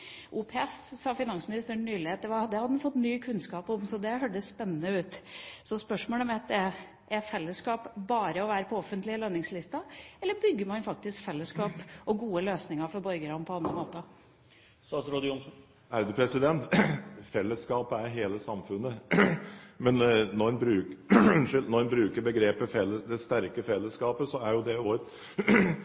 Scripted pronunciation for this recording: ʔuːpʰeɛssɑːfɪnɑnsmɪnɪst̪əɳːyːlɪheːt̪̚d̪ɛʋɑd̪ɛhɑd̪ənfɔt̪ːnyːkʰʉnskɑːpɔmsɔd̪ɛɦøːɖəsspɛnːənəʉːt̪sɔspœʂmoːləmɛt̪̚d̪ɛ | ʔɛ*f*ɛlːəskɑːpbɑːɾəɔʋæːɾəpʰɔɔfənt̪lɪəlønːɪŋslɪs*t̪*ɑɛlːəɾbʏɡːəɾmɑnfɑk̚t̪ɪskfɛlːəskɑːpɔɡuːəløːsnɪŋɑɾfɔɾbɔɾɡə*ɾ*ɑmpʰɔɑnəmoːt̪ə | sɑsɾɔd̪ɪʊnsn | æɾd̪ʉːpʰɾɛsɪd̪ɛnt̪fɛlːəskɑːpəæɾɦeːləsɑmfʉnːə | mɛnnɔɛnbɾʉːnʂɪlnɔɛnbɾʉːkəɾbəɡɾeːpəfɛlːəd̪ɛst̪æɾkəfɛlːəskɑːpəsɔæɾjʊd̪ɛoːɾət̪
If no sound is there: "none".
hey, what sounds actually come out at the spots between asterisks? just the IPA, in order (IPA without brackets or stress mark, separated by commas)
f, t̪, ɾ